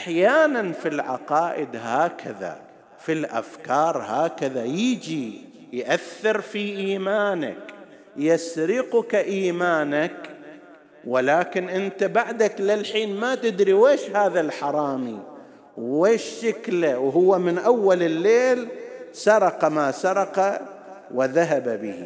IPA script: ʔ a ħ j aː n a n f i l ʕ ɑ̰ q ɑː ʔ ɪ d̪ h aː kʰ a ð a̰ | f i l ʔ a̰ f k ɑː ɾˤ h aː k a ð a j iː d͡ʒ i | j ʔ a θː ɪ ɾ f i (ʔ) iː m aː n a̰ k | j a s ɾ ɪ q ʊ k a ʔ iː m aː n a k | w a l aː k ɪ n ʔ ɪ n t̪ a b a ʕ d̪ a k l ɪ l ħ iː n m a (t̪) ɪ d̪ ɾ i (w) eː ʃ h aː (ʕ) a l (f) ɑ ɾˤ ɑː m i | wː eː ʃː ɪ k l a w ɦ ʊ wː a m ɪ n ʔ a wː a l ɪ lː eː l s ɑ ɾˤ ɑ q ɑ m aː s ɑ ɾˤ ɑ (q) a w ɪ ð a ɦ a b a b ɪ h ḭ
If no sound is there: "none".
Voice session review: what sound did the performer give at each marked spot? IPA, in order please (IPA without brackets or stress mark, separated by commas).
ʔ, t̪, w, ð, ħ, q